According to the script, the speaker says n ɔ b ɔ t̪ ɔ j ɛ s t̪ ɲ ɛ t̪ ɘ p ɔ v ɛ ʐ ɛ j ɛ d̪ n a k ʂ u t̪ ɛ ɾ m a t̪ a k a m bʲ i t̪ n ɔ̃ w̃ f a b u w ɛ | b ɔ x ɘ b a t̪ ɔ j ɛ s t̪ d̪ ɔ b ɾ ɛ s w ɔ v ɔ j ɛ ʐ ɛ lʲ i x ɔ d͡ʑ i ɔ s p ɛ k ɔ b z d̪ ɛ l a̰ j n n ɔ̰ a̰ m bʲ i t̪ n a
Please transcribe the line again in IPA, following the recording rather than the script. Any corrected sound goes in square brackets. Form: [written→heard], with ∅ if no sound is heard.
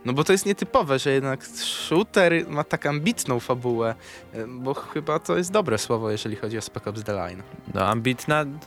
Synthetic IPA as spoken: n ɔ b ɔ t̪ ɔ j ɛ s t̪ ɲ ɛ t̪ ɘ p ɔ v ɛ ʐ ɛ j ɛ d̪ n a k ʂ u t̪ ɛ ɾ m a t̪ a k a m bʲ i t̪ n ɔ̃ w̃ f a b u w ɛ | b ɔ x ɘ b a t̪ ɔ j ɛ s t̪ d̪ ɔ b ɾ ɛ s w ɔ v ɔ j ɛ ʐ ɛ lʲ i x ɔ d͡ʑ i ɔ s p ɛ k ɔ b z d̪ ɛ l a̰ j n n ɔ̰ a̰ m bʲ i t̪ n a